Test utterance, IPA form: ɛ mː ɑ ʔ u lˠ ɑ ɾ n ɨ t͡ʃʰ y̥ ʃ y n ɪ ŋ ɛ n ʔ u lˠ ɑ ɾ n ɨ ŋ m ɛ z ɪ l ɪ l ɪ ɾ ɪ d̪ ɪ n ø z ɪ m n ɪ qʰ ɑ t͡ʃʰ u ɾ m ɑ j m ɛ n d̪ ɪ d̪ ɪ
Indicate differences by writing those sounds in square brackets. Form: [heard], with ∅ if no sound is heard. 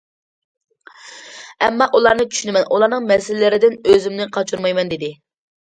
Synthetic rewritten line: ɛ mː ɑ ʔ u lˠ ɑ ɾ n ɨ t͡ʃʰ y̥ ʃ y n ɪ [m] ɛ n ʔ u lˠ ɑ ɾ n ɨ ŋ m ɛ [s] ɪ l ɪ l ɪ ɾ ɪ d̪ ɪ n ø z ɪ m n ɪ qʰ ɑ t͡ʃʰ u ɾ m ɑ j m ɛ n d̪ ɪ d̪ ɪ